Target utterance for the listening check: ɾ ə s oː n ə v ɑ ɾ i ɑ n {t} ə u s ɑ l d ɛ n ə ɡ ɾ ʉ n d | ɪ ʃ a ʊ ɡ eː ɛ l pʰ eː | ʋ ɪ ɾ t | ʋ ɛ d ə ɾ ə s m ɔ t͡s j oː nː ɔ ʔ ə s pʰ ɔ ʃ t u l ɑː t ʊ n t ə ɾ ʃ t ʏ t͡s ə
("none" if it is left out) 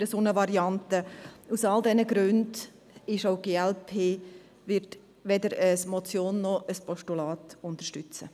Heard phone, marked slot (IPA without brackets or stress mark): t